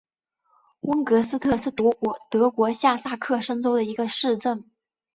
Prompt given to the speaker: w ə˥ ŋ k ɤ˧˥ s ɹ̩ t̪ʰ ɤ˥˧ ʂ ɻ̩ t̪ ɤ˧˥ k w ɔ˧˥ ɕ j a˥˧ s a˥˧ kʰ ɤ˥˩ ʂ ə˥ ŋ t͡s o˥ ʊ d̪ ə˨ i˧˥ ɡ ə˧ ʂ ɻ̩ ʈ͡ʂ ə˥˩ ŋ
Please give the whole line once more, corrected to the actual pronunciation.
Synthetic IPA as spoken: w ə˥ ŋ k ɤ˧˥ s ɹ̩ t̪ʰ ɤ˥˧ ʂ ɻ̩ t̪ ɤ˧˥ k w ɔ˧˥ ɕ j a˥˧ s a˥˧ kʰ ɤ˥˩ ʂ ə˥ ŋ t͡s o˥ ʊ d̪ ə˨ i˧˥ ɡ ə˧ ʂ ɻ̩ ʈ͡ʂ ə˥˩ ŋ

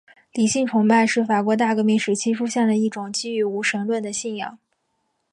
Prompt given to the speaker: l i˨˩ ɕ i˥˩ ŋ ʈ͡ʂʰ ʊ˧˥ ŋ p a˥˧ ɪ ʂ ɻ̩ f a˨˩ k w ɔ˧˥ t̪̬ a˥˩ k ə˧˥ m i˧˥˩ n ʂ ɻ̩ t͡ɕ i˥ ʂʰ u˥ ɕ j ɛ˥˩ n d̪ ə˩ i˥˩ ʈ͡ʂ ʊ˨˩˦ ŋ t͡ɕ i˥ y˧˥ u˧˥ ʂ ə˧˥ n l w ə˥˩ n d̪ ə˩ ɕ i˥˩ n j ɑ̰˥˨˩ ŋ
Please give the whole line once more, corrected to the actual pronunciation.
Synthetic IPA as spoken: l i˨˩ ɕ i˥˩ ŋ ʈ͡ʂʰ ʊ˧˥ ŋ p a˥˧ ɪ ʂ ɻ̩ f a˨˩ k w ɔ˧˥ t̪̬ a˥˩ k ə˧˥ m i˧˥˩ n ʂ ɻ̩ t͡ɕʰ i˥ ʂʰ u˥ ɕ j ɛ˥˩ n d̪ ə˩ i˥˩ ʈ͡ʂ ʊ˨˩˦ ŋ t͡ɕ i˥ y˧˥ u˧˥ ʂ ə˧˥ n l w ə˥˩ n d̪ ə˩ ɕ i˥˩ n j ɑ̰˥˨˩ ŋ

